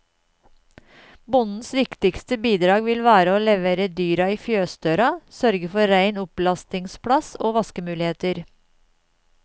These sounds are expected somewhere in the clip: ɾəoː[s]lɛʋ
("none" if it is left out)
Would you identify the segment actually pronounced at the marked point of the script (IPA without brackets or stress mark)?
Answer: none